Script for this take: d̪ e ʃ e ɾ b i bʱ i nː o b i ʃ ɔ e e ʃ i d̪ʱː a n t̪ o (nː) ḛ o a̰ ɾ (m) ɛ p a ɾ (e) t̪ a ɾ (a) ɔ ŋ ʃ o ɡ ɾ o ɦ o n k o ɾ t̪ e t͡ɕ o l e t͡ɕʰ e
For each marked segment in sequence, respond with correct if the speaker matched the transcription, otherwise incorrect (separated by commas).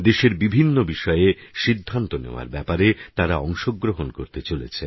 incorrect, incorrect, correct, correct